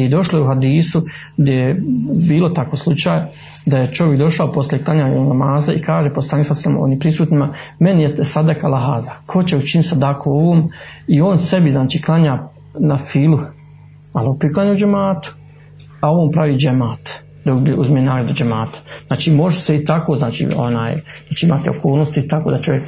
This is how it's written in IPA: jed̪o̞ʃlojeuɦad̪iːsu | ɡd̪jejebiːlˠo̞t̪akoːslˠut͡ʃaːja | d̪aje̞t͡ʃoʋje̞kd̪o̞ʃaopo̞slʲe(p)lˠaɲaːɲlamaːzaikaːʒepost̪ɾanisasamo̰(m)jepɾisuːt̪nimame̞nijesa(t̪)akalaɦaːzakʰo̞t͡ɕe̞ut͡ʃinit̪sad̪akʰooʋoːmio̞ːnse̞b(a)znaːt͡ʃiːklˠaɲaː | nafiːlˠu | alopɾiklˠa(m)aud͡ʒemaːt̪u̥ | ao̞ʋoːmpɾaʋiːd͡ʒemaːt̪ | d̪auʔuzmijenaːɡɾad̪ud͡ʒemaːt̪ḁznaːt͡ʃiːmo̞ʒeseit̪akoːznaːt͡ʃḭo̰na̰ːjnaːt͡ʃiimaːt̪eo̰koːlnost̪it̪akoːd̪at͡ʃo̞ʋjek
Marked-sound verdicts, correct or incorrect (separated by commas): incorrect, incorrect, incorrect, incorrect, incorrect